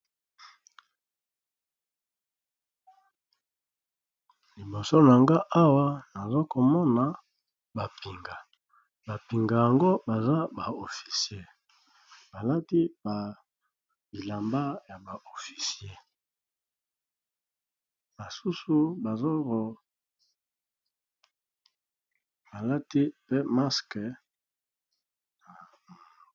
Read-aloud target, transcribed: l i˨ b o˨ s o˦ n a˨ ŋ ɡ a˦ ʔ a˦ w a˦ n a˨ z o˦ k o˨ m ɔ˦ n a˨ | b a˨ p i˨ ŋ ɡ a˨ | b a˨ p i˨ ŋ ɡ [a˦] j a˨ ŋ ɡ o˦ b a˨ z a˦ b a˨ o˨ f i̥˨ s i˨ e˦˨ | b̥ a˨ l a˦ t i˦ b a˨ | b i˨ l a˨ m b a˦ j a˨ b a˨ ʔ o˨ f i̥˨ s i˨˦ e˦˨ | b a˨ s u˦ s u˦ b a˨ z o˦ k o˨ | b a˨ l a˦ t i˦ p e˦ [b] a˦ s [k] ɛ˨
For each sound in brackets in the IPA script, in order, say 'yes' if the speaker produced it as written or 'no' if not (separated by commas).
no, no, yes